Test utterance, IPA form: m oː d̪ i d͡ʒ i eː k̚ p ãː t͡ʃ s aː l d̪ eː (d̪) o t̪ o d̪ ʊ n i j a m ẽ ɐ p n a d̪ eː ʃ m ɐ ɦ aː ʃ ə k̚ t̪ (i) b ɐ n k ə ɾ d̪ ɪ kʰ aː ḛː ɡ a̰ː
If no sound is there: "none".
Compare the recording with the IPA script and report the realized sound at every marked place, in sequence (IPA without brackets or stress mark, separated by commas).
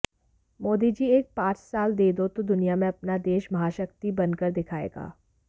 d̪, i